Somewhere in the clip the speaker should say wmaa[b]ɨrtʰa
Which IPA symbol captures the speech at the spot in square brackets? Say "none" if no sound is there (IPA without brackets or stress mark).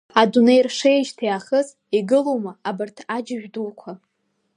b